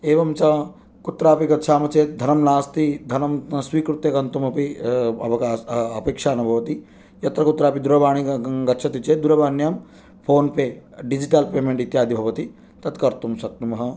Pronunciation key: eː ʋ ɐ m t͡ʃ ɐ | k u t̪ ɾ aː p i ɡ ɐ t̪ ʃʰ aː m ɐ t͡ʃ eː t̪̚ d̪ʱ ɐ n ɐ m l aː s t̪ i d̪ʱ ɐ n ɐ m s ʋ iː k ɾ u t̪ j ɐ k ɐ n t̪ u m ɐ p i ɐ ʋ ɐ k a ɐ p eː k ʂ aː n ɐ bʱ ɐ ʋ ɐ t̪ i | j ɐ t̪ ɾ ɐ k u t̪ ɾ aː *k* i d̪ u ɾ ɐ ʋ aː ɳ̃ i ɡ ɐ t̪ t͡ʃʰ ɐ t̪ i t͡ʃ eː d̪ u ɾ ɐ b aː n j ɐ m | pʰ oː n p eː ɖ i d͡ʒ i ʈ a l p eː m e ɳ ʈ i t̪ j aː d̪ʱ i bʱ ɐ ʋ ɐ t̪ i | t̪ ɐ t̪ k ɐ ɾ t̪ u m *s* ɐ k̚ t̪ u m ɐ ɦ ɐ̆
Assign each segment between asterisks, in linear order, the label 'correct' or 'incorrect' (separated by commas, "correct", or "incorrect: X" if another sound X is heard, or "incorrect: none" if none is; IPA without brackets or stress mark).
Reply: incorrect: p, correct